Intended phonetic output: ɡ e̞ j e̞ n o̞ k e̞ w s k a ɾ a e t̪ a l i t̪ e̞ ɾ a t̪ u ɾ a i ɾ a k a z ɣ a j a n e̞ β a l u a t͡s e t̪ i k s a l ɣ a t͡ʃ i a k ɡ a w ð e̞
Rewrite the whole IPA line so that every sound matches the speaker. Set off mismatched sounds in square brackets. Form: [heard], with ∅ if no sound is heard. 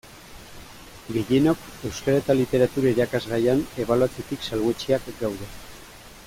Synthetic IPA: ɡ e̞ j e̞ n o̞ k e̞ w s k a ɾ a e t̪ a l i t̪ e̞ ɾ a t̪ u ɾ a i ɾ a k a z ɣ a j a n e̞ β a l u a t͡s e t̪ i k s a l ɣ [e] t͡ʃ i a k ɡ a w ð e̞